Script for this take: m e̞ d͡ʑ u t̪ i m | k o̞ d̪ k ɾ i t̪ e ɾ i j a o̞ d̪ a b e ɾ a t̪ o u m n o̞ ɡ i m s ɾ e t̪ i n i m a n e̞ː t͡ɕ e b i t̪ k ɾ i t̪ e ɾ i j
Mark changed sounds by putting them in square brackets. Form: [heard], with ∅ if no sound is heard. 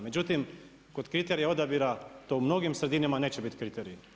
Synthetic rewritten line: m e̞ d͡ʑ u t̪ i m | k o̞ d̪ k ɾ i t̪ e ɾ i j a o̞ d̪ a b [i] ɾ a t̪ o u m n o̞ ɡ i m s ɾ e [d̪] i n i m a n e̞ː t͡ɕ e b i t̪ k ɾ i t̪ e ɾ i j